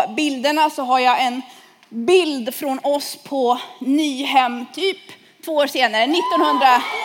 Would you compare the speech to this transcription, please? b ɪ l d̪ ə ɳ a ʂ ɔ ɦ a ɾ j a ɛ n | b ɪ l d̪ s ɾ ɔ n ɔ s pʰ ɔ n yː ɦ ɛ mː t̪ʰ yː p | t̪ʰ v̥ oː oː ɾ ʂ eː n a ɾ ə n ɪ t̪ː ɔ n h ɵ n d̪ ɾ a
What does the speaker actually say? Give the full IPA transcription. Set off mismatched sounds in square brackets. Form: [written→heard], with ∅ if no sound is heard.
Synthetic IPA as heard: b ɪ l d̪ ə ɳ a [ʂ→s] ɔ ɦ a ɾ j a ɛ n | b ɪ l d̪ [s→f] ɾ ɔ n ɔ s pʰ ɔ n yː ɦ ɛ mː t̪ʰ yː p | t̪ʰ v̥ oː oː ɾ ʂ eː n a ɾ ə n ɪ t̪ː ɔ n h ɵ n d̪ ɾ a